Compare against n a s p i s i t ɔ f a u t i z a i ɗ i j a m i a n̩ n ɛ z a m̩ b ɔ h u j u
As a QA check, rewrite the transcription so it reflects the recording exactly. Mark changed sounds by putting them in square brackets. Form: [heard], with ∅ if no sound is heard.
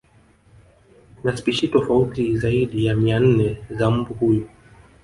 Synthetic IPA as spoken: n a s p i [ʃ] i t ɔ f a u t i z a i ɗ i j a m i a n̩ n ɛ z a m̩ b [u] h u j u